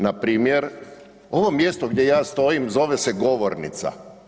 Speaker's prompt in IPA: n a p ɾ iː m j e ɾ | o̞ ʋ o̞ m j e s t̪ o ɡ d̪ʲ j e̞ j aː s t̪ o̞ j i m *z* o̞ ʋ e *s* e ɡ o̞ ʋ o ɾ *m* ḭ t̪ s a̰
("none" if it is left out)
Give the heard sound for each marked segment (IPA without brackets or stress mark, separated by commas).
z, s, n